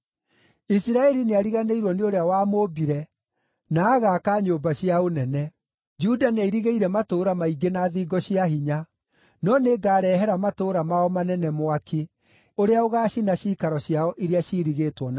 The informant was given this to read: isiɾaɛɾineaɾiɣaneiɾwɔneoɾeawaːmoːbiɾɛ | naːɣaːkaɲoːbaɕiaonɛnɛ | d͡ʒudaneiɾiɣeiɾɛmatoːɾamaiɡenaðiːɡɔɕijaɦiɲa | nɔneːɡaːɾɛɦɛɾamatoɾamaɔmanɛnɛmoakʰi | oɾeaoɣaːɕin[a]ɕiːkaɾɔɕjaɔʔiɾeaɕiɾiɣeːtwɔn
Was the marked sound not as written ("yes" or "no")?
no